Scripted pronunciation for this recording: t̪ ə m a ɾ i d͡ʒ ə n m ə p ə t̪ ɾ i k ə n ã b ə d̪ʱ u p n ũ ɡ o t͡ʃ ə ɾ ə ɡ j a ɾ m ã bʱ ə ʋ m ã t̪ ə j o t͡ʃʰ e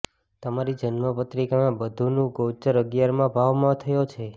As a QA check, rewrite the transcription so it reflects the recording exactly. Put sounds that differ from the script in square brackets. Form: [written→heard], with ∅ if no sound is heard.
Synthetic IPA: t̪ ə m a ɾ i d͡ʒ ə n m ə p ə t̪ ɾ i k [ə→a] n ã b ə d̪ʱ u [p→∅] n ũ ɡ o t͡ʃ ə ɾ ə ɡ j a ɾ m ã bʱ [ə→a] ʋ m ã [t̪→t̪ʰ] ə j o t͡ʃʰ e